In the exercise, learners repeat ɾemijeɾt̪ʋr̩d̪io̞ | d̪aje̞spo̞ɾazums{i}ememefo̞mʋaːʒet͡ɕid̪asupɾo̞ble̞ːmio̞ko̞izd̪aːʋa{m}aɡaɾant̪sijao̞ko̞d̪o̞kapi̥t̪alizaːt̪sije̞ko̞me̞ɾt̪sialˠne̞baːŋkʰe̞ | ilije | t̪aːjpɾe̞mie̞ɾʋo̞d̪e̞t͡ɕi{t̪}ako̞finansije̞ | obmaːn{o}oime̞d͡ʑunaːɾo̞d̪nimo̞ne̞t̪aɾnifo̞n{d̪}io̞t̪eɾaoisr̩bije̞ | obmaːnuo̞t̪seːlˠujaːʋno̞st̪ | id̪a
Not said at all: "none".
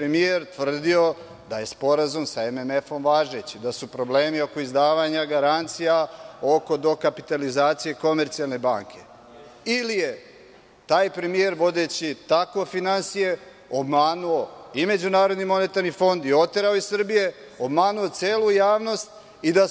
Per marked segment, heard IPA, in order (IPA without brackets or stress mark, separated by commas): a, ɲ, t̪, u, d̪